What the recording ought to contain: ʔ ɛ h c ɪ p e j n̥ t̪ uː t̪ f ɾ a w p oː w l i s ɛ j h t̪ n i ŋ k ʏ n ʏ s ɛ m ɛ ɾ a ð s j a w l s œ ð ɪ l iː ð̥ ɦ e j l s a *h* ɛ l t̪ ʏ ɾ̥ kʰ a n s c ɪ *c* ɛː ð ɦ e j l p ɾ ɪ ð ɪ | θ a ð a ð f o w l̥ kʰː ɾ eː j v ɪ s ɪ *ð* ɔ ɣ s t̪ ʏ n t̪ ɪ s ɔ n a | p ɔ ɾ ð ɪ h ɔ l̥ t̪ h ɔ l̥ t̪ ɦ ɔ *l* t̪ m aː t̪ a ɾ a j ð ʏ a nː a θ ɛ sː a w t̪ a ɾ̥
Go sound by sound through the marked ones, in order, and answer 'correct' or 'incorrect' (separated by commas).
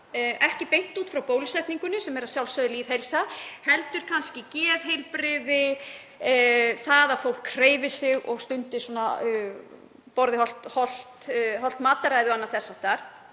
correct, correct, incorrect, correct